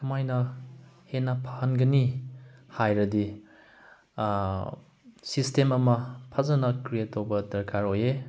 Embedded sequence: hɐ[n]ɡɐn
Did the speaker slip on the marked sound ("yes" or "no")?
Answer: no